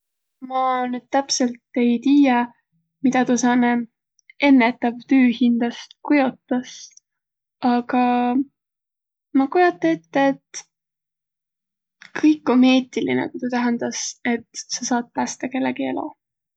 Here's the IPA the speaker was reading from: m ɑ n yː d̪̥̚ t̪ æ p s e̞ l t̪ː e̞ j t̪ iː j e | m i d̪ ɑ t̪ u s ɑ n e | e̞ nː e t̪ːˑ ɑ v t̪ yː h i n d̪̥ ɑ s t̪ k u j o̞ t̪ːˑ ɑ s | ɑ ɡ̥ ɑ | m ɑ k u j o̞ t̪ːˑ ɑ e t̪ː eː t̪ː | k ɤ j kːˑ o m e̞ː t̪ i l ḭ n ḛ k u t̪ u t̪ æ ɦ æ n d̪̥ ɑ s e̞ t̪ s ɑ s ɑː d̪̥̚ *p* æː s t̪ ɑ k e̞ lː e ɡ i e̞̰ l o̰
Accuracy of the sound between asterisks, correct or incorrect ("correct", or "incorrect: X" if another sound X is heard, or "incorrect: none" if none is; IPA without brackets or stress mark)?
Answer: correct